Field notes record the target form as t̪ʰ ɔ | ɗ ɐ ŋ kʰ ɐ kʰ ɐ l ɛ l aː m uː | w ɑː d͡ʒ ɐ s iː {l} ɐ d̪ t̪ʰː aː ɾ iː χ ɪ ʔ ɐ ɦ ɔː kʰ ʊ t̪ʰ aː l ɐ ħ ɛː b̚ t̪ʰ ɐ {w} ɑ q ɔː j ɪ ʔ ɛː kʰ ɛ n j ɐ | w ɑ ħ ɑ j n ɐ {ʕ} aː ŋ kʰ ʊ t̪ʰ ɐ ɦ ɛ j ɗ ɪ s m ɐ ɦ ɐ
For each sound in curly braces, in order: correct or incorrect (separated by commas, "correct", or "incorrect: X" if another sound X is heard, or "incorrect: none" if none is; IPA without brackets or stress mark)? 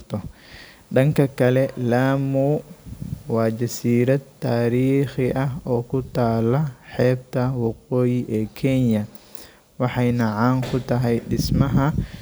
incorrect: ɾ, correct, correct